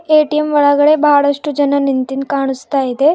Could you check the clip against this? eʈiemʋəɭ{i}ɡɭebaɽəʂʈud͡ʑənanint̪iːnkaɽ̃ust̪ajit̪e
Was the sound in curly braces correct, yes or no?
no